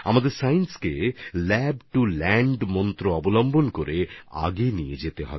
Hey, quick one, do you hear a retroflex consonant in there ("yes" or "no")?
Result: yes